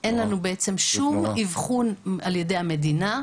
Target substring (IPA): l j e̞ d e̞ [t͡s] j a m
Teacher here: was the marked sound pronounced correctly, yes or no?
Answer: no